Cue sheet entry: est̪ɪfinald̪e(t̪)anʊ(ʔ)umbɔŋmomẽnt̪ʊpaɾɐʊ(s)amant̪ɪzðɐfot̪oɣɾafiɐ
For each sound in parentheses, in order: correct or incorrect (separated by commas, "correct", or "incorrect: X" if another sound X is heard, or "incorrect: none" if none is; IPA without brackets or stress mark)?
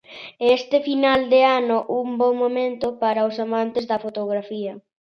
incorrect: none, correct, correct